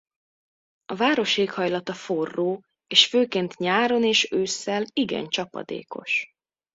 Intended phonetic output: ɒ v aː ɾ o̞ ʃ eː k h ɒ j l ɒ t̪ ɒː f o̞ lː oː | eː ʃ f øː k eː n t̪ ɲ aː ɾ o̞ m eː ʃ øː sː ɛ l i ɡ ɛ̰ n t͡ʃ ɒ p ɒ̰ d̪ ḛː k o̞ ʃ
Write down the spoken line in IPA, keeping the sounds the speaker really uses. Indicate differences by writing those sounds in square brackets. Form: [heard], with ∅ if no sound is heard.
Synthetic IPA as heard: ɒ v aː ɾ o̞ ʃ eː k h ɒ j l ɒ t̪ [ɒ] f o̞ [rː] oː | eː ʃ f øː k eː n t̪ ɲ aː ɾ o̞ [n] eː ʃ øː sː ɛ l i ɡ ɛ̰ n t͡ʃ ɒ p ɒ̰ d̪ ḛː k o̞ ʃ